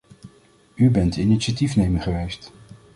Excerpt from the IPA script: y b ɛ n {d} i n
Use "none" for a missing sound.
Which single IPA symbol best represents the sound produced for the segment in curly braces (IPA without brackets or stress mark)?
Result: t